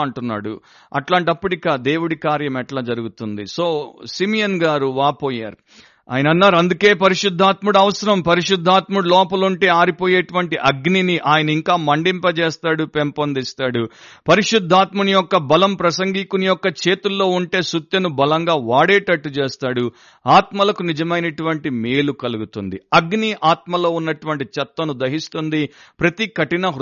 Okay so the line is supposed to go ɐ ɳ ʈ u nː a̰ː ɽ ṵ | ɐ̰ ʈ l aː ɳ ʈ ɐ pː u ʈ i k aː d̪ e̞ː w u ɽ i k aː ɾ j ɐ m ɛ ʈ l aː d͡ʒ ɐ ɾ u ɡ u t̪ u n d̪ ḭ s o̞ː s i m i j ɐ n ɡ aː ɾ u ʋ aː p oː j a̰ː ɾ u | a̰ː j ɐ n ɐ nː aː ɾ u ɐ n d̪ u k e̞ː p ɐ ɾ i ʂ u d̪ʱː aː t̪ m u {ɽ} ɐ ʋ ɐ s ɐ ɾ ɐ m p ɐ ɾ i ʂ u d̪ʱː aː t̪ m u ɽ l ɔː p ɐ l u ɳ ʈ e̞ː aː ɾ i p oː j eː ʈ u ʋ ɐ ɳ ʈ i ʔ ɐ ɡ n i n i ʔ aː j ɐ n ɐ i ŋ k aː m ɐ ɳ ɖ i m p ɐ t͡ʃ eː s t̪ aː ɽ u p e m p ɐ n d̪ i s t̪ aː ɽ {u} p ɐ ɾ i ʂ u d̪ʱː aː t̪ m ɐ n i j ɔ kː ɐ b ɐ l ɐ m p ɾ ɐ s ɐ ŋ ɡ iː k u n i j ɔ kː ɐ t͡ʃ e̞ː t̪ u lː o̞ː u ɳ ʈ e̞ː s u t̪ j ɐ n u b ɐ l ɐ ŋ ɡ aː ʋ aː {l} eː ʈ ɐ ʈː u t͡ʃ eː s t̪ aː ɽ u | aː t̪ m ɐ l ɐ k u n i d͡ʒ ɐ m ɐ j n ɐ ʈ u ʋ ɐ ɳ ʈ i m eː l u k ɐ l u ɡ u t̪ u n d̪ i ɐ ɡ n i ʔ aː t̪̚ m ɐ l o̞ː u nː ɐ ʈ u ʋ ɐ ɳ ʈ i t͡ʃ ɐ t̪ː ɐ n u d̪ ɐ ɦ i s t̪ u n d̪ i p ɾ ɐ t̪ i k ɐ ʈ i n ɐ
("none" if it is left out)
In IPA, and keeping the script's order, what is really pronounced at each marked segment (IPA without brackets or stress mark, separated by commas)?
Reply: ɽ, u, ɽ